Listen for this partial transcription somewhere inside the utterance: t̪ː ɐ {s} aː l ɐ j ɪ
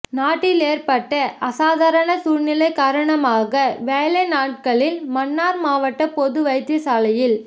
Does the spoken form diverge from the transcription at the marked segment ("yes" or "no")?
no